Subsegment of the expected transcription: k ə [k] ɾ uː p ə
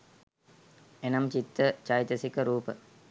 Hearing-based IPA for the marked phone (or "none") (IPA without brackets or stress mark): none